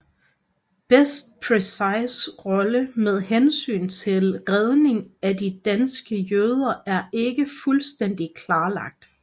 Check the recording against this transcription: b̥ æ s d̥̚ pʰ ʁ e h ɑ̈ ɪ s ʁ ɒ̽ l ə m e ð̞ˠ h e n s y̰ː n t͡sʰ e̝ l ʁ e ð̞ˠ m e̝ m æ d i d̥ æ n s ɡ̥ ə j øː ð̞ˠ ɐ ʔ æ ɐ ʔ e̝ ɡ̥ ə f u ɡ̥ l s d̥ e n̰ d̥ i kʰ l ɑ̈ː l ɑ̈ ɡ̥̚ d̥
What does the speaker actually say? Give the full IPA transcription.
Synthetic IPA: b̥ e s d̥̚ pʰ ʁ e s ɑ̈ ɪ s ʁ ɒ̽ l ə m e ð̞ˠ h e n s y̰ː n t͡sʰ e̝ l ʁ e ð̞ˠ n e̝ ŋ æ d i d̥ æ n s ɡ̥ ə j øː ð̞ˠ ɐ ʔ æ ɐ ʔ e̝ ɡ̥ ə f u l s d̥ e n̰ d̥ i kʰ l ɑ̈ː l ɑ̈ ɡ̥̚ d̥